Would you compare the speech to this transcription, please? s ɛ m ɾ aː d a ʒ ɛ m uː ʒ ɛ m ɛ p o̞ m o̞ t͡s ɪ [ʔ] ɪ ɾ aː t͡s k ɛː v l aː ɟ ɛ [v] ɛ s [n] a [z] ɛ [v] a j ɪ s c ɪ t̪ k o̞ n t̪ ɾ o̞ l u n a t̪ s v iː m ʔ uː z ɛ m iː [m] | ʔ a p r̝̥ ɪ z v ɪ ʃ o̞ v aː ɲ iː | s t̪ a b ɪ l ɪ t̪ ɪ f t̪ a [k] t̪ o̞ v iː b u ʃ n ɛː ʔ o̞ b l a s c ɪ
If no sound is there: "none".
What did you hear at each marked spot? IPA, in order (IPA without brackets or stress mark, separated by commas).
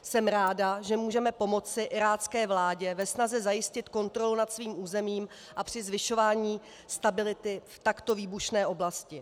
ʔ, v, n, z, z, m, k